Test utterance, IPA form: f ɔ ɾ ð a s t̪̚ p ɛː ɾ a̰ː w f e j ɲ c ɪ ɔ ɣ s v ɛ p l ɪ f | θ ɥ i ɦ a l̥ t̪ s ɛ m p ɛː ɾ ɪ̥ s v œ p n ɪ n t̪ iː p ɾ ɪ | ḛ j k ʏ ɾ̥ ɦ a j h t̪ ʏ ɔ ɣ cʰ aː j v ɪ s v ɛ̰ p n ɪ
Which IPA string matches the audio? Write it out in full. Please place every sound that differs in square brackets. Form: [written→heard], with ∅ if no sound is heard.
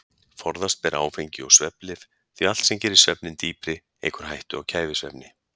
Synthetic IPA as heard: f ɔ ɾ ð a s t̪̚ p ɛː ɾ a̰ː w f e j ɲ c ɪ ɔ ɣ s v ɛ p l ɪ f | θ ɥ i [ɦ→∅] a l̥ t̪ s ɛ m [p→c] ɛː ɾ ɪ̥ s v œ p n ɪ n t̪ iː p ɾ ɪ | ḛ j k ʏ ɾ̥ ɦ a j h t̪ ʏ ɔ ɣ cʰ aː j v ɪ s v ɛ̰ p n ɪ